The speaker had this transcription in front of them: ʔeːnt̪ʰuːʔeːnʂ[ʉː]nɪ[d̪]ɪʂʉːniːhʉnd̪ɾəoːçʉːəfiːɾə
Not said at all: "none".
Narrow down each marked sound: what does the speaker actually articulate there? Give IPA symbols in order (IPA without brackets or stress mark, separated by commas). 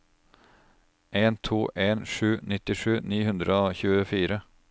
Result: ʉː, t̪